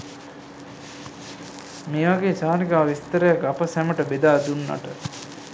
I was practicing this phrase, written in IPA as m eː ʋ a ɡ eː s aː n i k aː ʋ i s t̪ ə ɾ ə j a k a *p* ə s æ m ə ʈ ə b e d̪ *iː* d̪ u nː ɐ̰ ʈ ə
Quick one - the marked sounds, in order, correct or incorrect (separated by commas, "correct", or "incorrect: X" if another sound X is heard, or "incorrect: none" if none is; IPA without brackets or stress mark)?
correct, incorrect: aː